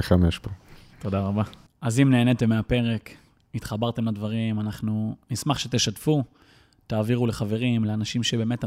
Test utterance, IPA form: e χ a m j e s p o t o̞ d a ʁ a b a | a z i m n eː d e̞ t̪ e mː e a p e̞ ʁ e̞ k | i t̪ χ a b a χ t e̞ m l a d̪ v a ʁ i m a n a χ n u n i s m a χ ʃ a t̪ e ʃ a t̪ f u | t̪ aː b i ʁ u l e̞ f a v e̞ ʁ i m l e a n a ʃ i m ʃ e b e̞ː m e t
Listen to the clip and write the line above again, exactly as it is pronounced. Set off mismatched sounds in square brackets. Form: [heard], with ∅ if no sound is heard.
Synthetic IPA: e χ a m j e [ʃ] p o t o̞ d a ʁ a b a | a z i m n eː [n] e̞ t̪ e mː e a p e̞ ʁ e̞ k | i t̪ χ a b a [ʁ] t e̞ m l a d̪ v a ʁ i m a n a χ n u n i s m a χ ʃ [e] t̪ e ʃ a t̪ f u | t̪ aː [v] i ʁ u l e̞ [χ] a v e̞ ʁ i m l e a n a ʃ i m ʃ e b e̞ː m e t